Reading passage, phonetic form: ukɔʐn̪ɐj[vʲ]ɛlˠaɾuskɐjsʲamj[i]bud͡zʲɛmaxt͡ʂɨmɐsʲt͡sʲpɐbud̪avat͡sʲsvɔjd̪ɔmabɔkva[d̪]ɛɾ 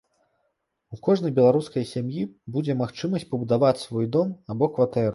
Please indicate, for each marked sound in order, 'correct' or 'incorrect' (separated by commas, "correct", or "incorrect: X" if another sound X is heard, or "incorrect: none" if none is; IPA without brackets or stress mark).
incorrect: bʲ, correct, incorrect: t̪